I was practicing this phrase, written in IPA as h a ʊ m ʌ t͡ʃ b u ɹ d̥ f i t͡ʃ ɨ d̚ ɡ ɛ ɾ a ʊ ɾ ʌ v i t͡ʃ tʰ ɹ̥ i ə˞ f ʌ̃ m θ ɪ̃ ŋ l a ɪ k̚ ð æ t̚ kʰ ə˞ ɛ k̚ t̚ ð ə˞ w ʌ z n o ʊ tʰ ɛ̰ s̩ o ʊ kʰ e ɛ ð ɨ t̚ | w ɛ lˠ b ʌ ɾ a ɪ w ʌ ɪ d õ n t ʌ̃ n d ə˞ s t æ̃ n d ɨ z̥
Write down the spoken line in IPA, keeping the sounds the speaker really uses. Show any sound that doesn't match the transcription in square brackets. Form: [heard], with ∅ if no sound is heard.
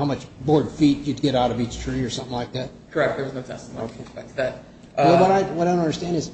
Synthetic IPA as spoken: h a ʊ m ʌ t͡ʃ b [ɔ] ɹ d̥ f i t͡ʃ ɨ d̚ ɡ ɛ ɾ a ʊ ɾ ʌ v i t͡ʃ tʰ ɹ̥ i ə˞ [s] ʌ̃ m θ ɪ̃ ŋ l a ɪ k̚ ð æ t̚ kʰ ə˞ ɛ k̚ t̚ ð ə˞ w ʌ z n o ʊ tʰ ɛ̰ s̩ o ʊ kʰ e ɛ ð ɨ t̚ | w ɛ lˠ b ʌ ɾ a ɪ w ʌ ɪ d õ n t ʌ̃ n d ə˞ s t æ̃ n d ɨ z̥